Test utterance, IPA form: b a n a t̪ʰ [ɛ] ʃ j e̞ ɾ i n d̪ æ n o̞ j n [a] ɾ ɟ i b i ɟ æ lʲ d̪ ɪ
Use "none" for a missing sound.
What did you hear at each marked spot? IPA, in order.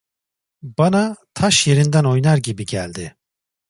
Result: a, a

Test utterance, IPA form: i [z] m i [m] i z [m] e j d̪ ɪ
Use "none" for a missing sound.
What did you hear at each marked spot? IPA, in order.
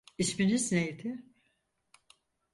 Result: s, n, n

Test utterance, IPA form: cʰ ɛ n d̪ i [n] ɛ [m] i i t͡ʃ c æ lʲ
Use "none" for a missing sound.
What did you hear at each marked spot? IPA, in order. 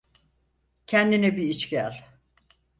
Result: n, b

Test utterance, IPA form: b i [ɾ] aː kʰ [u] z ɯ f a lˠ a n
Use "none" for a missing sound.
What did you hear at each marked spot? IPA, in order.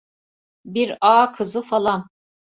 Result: ɾ, ɯ

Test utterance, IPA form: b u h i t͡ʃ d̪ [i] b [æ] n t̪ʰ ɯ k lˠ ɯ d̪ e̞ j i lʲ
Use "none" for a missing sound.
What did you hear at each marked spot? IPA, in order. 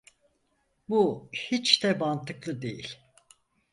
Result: ɛ, a

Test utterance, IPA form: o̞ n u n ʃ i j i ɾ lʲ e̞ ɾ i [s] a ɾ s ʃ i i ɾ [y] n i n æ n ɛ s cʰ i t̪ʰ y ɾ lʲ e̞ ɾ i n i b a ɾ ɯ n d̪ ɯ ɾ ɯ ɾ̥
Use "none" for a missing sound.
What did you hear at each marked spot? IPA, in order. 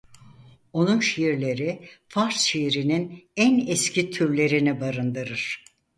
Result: f, i

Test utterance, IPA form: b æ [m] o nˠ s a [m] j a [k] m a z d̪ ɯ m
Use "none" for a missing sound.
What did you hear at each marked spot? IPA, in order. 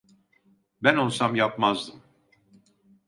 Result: n, m, p

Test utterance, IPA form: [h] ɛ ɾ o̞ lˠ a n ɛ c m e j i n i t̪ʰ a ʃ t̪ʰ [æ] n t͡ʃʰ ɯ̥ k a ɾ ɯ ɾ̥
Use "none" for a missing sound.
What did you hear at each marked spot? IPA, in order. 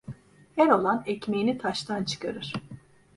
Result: h, a

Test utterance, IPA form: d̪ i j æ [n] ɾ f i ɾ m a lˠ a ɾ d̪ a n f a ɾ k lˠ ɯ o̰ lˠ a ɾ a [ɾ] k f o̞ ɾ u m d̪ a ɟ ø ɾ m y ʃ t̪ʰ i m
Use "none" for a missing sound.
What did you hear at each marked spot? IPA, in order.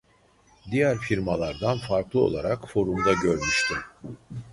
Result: none, none

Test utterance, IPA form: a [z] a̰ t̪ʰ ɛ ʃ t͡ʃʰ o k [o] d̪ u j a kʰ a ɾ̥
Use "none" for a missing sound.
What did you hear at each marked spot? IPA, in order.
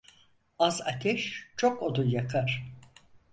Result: z, o

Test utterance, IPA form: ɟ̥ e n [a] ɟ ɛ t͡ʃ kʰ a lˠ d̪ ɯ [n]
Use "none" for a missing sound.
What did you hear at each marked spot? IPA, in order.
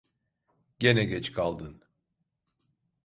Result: ɛ, n

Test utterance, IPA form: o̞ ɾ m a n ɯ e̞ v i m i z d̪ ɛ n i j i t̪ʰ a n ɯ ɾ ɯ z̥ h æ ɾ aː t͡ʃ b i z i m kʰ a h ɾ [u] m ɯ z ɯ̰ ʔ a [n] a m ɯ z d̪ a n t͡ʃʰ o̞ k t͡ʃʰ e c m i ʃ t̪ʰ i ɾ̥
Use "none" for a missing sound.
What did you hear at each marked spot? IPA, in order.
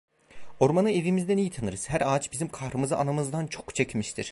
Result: ɯ, n

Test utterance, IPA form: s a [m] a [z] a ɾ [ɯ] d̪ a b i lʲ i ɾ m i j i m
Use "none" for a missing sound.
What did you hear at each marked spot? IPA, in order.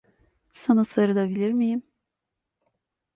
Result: n, s, ɯ

